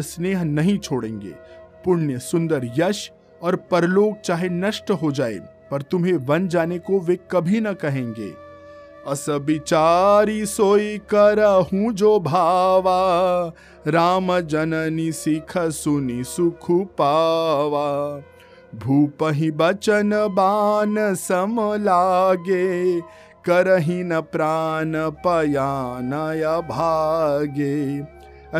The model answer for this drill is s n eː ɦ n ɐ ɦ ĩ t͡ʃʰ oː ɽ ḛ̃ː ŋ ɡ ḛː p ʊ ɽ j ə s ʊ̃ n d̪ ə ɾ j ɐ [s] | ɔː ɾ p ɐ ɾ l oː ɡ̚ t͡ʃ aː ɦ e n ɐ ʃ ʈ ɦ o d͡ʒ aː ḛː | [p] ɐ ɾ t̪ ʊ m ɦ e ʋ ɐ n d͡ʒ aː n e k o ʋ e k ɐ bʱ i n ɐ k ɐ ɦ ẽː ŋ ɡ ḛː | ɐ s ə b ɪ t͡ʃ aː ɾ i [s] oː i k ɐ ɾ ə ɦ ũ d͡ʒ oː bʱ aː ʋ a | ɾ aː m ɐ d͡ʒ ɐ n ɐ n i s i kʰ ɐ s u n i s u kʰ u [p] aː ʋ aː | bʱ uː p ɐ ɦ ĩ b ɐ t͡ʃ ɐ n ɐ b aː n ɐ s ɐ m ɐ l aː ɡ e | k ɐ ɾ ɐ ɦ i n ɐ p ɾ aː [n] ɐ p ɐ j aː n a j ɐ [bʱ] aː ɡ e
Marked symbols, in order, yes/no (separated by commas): no, yes, yes, yes, yes, yes